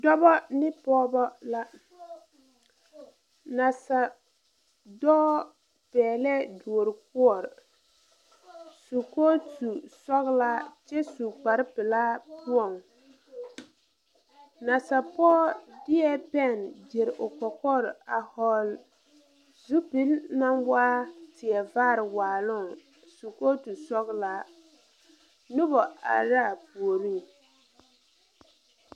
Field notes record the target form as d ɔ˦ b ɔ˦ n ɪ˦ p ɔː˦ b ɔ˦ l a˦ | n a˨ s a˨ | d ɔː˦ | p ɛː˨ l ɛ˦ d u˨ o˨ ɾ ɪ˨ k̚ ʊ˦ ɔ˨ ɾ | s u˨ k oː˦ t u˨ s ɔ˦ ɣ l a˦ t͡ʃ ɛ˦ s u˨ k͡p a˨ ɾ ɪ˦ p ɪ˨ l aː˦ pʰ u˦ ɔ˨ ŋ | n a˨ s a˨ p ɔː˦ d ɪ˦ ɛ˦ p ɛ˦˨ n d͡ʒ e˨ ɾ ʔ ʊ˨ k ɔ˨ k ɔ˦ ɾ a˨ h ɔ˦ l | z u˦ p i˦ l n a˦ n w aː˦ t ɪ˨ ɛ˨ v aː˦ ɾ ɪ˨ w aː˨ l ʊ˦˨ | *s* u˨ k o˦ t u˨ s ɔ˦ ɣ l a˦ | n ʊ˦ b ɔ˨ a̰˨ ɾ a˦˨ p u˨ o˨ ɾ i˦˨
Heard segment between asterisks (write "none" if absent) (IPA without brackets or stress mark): s